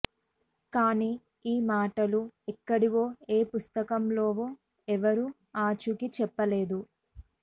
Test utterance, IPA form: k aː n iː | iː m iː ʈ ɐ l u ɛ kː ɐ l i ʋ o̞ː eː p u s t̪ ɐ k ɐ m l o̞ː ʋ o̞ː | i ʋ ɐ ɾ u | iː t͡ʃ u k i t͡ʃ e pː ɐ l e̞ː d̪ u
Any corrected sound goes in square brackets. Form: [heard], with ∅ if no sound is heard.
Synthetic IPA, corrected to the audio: k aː n iː | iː m [aː] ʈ ɐ l u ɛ kː ɐ [ɽ] i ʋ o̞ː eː p u s t̪ ɐ k ɐ m l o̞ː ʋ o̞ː | [ɛ] ʋ ɐ ɾ u | [aː] t͡ʃ u k i t͡ʃ [ɛ] pː ɐ l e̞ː d̪ u